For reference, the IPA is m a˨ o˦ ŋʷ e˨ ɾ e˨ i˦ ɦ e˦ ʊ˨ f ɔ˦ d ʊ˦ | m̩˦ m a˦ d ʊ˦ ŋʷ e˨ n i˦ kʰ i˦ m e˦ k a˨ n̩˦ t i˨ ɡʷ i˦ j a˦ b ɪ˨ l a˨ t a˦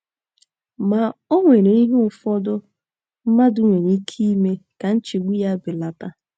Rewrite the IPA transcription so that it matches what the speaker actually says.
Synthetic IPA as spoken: m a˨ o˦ ŋʷ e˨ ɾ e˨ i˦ ɦ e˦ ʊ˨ f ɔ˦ d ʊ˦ | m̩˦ m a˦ d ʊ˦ ŋʷ e˨ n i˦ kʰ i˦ m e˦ k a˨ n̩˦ t͡ʃ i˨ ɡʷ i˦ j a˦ b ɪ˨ l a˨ t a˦